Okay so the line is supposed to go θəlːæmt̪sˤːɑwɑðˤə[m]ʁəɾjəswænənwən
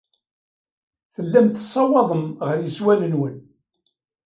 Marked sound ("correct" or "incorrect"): correct